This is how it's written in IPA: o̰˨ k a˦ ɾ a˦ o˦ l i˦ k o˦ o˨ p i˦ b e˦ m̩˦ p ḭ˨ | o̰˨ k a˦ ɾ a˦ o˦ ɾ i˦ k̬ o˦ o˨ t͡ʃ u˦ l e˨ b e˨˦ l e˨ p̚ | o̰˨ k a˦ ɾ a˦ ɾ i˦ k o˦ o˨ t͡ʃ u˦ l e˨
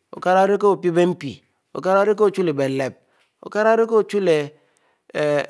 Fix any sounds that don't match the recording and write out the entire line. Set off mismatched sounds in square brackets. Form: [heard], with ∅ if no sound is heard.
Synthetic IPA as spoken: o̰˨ k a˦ ɾ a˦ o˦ [ɾ] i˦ k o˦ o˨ p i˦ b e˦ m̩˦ p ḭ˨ | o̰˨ k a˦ ɾ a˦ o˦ ɾ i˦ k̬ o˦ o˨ t͡ʃ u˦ l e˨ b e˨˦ l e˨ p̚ | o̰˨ k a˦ ɾ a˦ ɾ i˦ k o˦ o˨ t͡ʃ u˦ l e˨

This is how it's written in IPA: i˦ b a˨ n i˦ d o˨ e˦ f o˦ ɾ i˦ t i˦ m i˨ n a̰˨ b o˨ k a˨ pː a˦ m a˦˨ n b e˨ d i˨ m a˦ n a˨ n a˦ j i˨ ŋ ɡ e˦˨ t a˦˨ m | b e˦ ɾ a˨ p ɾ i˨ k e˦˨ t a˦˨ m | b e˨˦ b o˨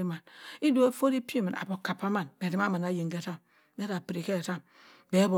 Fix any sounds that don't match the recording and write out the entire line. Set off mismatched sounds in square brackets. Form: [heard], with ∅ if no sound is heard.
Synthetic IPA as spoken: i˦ [m] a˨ n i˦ d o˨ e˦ f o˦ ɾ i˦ [p] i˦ m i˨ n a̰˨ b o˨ k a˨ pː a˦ m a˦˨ n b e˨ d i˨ m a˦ [m] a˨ n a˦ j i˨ ŋ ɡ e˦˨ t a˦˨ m | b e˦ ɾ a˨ p ɾ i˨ k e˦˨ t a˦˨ m | b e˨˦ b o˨

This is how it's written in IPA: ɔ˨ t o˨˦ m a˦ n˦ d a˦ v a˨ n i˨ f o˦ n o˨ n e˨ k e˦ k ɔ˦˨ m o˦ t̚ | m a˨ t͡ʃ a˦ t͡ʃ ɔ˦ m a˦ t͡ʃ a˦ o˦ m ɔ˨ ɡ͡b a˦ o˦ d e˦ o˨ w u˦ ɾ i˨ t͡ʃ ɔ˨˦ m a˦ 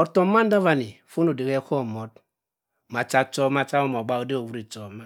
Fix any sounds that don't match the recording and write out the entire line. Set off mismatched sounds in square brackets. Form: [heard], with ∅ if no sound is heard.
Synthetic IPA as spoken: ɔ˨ t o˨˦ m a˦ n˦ d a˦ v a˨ n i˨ f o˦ n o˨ [d] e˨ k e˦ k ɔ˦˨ m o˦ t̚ | m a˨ t͡ʃ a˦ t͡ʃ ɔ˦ m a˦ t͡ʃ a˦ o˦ m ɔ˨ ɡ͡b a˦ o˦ d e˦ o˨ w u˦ ɾ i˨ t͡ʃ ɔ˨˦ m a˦

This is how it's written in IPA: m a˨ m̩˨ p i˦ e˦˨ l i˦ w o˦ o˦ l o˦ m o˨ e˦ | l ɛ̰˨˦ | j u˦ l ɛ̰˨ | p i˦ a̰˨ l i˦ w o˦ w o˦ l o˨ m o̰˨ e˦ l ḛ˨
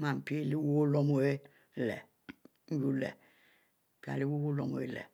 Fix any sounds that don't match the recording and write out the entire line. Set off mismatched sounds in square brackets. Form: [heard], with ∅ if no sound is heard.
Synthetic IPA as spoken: m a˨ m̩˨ p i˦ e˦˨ l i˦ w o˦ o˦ l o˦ m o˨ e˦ | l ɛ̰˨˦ | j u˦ l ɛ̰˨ | p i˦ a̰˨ l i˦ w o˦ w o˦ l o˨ m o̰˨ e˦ l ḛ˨

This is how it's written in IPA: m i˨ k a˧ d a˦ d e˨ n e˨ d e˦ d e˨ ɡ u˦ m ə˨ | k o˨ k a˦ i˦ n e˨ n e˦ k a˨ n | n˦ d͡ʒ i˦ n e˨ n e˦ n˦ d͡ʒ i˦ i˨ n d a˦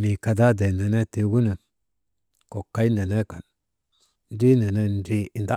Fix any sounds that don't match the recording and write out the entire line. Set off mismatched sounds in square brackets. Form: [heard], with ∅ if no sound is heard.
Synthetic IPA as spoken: m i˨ k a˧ d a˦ d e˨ n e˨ [n] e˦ [t] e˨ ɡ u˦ [n] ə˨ | k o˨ k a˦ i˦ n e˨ n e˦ k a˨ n | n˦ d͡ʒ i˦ n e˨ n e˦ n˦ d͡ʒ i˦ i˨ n d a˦

